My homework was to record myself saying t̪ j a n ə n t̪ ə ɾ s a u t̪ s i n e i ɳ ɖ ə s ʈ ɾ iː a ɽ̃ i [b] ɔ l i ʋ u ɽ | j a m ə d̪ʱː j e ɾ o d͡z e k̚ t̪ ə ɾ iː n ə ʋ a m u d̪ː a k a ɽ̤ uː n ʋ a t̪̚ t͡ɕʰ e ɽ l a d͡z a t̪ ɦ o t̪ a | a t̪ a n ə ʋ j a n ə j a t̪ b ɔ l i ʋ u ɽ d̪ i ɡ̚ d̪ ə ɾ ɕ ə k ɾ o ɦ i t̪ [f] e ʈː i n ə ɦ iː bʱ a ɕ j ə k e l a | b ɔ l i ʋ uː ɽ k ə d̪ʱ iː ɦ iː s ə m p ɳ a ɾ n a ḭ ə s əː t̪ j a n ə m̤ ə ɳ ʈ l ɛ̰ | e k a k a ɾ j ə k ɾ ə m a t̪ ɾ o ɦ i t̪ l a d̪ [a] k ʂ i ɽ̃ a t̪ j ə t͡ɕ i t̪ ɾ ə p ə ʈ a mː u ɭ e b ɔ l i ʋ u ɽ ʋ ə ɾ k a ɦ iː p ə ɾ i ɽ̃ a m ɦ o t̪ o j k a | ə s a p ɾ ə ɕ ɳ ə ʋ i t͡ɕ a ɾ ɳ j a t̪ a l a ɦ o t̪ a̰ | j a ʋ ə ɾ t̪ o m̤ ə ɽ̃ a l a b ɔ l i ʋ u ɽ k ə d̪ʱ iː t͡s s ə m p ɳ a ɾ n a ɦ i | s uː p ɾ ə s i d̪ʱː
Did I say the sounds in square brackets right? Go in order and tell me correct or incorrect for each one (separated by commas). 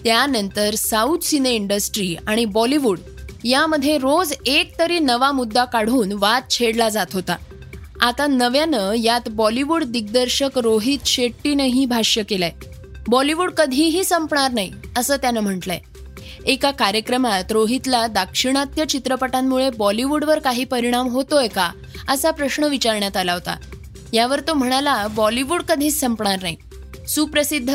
correct, incorrect, correct